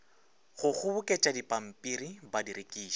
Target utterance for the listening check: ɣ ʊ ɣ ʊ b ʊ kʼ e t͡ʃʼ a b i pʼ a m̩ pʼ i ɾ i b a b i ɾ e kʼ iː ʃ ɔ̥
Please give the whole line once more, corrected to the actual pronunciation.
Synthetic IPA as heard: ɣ ʊ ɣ ʊ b ʊ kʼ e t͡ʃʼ a d i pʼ a m̩ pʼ i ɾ i b a d i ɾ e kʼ iː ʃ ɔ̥